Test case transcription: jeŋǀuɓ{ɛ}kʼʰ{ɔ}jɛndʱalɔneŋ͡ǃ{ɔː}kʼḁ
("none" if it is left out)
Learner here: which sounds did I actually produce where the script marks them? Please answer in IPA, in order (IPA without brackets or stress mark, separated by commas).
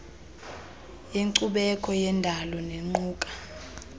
ɛ, ɔ, uː